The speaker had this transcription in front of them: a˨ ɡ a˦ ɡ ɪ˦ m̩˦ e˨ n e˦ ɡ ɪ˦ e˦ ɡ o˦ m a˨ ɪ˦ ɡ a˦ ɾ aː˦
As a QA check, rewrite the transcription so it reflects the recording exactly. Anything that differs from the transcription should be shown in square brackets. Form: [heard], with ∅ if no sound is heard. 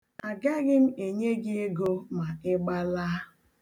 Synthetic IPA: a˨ ɡ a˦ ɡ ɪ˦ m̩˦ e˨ [ɲ] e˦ ɡ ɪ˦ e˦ ɡ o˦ m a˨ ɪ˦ [ɡ͡b] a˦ [l] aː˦